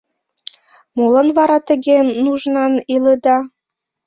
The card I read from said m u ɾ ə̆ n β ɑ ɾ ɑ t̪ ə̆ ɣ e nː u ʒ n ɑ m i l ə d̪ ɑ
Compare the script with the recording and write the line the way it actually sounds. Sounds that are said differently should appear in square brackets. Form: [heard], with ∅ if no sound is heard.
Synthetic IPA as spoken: m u [l] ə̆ n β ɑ ɾ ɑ t̪ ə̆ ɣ e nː u ʒ n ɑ [n] i l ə d̪ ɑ